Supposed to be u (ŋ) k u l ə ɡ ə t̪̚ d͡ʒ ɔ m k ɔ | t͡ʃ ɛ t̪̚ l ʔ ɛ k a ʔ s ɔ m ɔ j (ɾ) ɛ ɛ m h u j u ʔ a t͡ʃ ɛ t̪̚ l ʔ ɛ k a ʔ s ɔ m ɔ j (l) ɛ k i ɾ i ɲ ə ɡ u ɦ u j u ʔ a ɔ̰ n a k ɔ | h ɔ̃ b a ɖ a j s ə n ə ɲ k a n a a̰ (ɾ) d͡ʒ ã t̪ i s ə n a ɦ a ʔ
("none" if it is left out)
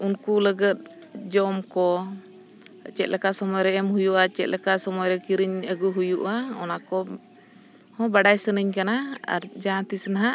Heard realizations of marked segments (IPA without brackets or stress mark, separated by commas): n, ɾ, ɾ, ɾ